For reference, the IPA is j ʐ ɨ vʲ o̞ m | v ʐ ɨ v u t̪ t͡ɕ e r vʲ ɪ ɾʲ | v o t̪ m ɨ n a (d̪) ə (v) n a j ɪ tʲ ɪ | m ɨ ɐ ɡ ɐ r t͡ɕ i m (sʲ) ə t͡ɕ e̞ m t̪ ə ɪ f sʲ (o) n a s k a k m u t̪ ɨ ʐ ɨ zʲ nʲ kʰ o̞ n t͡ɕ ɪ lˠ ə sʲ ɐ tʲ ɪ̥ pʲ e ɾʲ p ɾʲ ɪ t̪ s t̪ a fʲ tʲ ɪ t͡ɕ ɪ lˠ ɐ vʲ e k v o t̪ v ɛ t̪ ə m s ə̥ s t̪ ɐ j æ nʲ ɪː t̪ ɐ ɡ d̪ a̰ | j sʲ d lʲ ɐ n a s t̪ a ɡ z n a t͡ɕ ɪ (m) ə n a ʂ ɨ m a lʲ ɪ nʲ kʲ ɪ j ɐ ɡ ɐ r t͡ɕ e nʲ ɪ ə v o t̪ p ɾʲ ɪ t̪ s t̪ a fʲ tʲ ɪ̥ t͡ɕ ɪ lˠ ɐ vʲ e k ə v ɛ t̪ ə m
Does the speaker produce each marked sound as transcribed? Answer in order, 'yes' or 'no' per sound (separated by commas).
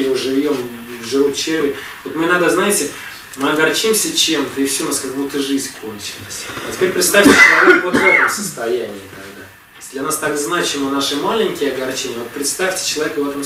yes, no, yes, no, yes